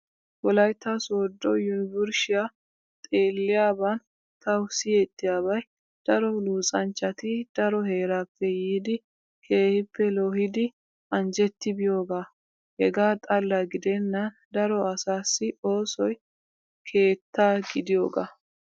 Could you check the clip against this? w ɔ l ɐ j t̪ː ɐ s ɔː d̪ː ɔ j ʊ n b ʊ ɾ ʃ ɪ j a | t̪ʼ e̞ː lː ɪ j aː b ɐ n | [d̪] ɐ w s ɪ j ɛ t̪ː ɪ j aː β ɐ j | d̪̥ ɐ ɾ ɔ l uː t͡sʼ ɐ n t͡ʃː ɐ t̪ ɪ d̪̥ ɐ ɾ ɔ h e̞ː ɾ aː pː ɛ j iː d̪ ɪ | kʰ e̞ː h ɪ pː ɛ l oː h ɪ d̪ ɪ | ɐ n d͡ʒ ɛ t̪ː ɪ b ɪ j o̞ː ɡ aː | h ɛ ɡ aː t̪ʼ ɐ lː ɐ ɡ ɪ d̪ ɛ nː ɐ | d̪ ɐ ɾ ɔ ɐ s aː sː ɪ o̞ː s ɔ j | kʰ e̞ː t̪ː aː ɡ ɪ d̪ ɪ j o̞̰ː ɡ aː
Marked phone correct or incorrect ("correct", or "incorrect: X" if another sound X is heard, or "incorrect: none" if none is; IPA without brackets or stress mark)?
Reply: incorrect: t̪